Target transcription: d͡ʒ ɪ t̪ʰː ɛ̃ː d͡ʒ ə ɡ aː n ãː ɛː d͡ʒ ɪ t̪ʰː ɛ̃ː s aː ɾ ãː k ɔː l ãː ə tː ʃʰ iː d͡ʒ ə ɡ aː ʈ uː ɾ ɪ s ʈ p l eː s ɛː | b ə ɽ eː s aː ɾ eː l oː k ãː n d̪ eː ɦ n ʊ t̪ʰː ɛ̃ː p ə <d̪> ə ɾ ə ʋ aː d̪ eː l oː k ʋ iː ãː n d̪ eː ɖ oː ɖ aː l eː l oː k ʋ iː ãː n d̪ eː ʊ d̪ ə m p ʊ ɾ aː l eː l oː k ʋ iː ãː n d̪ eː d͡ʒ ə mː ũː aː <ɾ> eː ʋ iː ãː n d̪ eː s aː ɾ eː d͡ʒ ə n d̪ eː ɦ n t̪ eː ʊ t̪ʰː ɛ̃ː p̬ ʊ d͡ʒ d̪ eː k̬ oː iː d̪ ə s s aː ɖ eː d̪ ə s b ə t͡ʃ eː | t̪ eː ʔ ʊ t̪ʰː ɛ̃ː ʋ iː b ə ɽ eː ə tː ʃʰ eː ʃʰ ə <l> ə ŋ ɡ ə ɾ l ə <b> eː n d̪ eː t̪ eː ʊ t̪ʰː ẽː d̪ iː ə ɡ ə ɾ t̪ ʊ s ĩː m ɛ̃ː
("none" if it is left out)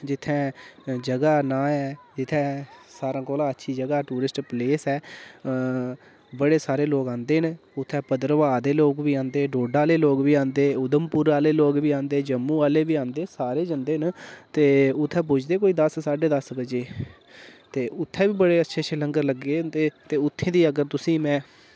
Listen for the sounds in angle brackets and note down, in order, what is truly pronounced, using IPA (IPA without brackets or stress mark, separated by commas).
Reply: d̪, l, l, ɡ